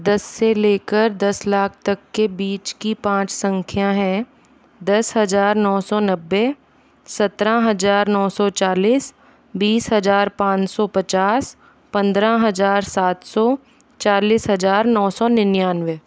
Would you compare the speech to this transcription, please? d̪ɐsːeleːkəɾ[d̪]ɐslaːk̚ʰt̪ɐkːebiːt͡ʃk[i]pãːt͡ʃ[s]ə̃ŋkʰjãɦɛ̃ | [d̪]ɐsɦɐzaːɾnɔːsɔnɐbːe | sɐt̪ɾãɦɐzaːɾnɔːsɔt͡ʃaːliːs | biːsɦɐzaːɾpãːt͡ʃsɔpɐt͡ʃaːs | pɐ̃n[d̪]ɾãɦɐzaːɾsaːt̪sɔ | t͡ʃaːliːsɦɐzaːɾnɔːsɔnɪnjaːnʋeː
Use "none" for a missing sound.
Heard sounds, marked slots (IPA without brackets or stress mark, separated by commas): d̪, i, s, d̪, d̪